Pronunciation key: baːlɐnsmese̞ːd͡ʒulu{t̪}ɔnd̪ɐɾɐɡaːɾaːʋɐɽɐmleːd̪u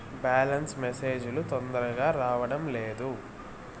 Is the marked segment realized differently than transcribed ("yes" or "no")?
no